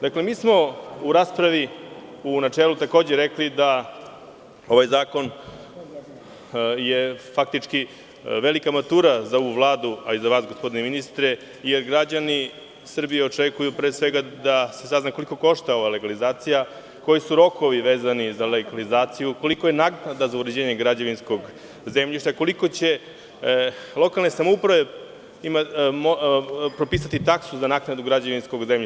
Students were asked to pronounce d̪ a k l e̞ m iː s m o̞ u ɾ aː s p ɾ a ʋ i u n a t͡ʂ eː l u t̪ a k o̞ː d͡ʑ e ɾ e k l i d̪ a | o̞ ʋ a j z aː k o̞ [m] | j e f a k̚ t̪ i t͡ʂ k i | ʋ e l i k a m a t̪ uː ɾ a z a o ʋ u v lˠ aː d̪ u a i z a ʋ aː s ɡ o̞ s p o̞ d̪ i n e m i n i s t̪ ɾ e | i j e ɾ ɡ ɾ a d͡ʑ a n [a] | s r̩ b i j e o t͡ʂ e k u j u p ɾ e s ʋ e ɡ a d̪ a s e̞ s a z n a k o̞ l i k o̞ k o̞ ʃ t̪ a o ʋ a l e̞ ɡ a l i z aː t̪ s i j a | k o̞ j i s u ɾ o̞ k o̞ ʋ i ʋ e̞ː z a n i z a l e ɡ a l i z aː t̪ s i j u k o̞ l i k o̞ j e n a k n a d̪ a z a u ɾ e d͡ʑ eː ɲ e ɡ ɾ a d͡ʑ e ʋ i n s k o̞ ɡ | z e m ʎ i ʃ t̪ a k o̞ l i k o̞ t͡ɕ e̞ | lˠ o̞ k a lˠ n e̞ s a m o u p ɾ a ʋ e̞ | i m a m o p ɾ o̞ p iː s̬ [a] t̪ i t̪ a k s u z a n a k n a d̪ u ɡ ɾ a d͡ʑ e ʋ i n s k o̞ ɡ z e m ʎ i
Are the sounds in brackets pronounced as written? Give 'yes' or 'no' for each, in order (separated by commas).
no, no, yes